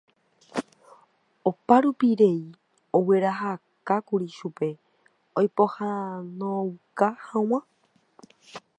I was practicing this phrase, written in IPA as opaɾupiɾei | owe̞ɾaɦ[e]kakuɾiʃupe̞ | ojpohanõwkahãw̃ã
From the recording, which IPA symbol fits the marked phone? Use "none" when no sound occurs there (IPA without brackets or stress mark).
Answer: a